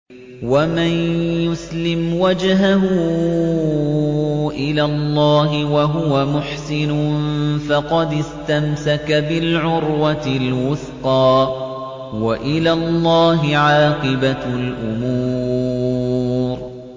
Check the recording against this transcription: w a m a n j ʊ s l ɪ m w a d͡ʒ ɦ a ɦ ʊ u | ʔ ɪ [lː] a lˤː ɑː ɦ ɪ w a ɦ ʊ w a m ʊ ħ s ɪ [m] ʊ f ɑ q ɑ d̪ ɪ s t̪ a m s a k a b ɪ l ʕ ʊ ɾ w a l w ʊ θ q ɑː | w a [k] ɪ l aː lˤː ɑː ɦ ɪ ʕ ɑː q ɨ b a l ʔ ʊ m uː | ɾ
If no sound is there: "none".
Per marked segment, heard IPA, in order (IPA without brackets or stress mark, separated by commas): l, n, ʔ